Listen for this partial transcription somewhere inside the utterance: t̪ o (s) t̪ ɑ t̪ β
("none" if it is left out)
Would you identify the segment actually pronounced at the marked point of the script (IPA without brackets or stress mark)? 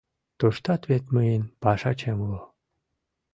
ʃ